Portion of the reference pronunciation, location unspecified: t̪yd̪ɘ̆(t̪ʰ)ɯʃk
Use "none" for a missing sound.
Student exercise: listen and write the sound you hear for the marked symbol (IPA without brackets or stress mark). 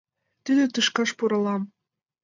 t̪